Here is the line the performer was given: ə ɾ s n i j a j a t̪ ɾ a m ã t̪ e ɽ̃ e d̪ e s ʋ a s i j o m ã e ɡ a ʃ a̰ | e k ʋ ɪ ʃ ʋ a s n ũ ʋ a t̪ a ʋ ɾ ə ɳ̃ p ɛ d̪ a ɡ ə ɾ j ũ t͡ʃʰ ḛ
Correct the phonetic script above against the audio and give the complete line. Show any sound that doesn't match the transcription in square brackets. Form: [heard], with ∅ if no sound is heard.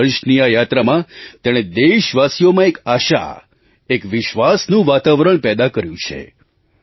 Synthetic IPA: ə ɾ [ʃ] n i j a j a t̪ ɾ a m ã t̪ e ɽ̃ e d̪ e [ʃ] ʋ a s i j o m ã e [k] a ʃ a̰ | e k ʋ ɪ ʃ ʋ a s n ũ ʋ a t̪ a ʋ ɾ ə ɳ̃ p ɛ d̪ a [k] ə ɾ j ũ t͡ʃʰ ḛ